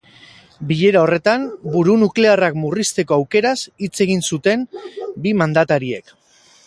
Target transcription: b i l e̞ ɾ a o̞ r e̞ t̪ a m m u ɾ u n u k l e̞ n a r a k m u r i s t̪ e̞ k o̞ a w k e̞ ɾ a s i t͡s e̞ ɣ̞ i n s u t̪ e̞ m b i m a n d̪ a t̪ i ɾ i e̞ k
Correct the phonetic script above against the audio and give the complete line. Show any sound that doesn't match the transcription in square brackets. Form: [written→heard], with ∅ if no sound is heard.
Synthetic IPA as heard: b i [l→ʎ] e̞ ɾ a o̞ r e̞ t̪ a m [m→b] u ɾ u n u k l e̞ [n→∅] a r a k m u r i s t̪ e̞ k o̞ a w k e̞ ɾ a s i t͡s e̞ ɣ̞ i n s u t̪ e̞ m b i m a n d̪ a t̪ [i→a] ɾ i e̞ k